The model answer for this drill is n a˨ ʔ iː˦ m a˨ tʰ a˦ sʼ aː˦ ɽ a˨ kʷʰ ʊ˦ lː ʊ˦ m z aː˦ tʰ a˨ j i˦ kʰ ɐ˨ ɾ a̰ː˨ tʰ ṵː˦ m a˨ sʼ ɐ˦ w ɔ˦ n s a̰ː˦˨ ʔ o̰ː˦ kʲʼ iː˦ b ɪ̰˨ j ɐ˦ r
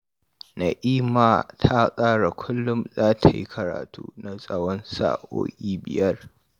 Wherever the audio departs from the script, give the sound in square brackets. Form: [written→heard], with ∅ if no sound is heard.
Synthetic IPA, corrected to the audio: n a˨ ʔ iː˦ m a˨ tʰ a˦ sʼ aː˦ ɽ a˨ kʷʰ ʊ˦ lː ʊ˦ m z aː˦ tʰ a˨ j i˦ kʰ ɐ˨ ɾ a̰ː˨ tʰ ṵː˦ [m→n] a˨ sʼ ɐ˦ w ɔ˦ n s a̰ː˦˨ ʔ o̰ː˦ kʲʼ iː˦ b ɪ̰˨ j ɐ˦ r